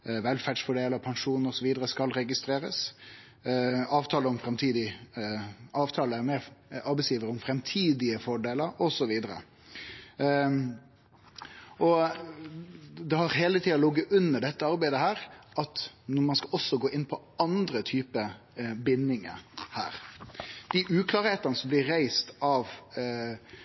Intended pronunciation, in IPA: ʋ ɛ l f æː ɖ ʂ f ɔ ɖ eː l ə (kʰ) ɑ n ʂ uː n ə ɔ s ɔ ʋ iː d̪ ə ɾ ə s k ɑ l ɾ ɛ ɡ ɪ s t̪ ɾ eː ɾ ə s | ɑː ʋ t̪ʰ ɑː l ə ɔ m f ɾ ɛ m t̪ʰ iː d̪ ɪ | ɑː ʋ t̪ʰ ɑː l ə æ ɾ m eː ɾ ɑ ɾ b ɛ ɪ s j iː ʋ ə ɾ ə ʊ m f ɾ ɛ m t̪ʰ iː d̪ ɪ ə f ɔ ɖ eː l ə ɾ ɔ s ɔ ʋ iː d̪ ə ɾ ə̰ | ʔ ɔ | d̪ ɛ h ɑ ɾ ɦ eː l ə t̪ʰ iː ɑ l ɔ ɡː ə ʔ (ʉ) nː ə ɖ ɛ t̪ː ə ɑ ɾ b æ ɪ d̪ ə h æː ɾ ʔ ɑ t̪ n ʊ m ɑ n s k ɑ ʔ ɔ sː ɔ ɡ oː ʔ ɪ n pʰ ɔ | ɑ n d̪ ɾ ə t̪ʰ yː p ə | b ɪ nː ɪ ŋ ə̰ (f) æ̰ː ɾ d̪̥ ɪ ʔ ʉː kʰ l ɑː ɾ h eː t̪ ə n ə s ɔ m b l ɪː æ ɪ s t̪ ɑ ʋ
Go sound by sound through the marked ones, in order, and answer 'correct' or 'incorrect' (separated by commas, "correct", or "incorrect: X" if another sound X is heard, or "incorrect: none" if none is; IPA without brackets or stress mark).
incorrect: pʰ, correct, incorrect: h